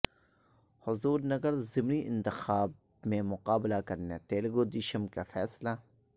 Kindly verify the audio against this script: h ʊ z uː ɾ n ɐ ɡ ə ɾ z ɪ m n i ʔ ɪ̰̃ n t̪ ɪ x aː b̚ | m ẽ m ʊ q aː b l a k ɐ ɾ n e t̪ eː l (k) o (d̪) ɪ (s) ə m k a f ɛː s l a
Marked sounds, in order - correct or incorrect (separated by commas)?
incorrect, correct, incorrect